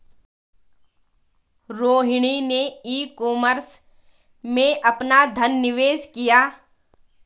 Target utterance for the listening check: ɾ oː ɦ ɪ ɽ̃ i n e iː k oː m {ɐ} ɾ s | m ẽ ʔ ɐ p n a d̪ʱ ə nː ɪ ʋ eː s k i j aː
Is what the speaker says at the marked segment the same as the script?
no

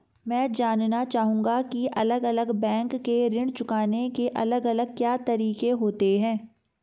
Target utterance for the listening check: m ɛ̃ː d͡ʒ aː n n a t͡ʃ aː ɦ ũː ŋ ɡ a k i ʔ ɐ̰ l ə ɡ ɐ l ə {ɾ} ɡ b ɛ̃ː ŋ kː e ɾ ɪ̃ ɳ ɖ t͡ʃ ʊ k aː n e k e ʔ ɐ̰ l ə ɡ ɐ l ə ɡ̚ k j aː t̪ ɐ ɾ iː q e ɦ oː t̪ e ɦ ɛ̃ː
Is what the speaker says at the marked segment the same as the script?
no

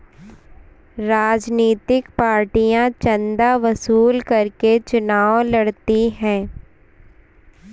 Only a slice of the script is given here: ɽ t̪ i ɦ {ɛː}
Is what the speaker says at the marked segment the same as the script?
no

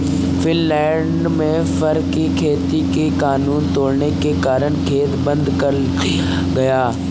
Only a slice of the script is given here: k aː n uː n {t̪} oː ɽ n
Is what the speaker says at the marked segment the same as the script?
yes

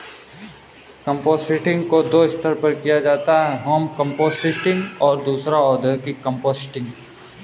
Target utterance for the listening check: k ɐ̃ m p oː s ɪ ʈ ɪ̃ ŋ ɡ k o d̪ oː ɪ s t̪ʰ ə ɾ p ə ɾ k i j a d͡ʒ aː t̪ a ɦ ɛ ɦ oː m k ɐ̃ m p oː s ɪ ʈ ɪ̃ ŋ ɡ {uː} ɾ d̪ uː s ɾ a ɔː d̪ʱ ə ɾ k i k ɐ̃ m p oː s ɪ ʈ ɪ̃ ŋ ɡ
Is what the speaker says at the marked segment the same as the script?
no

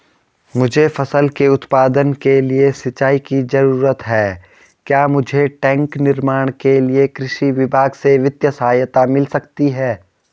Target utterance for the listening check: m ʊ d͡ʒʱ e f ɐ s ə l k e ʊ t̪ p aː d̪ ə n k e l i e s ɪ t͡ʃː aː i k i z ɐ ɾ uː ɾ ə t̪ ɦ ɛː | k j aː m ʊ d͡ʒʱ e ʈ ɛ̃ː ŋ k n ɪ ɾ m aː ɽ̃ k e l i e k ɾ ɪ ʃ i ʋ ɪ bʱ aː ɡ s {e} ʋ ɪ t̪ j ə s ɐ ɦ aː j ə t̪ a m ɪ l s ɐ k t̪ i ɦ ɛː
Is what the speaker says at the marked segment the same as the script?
yes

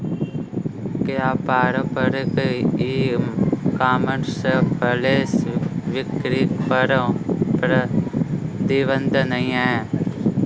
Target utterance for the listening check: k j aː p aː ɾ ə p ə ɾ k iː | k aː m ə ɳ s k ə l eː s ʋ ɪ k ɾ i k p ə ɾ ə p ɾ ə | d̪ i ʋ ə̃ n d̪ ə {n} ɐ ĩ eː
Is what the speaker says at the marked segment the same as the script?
yes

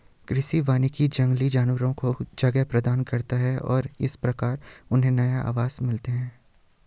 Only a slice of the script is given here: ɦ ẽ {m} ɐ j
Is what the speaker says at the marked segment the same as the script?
no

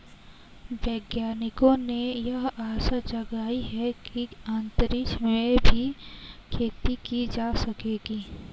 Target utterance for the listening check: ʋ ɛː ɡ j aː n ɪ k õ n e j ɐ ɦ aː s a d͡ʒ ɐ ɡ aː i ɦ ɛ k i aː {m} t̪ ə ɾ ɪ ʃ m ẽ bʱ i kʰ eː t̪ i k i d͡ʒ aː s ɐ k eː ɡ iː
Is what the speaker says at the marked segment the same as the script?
no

